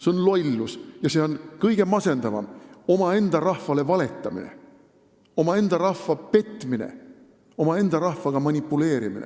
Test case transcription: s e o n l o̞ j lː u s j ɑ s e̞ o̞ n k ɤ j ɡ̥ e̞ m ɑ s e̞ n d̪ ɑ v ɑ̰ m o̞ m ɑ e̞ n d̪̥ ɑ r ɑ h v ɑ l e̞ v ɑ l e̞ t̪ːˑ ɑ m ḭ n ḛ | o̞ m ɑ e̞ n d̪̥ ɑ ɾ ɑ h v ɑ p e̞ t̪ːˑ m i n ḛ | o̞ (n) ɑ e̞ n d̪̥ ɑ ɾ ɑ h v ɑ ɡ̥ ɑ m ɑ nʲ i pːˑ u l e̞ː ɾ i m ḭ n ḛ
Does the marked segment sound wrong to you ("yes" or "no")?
yes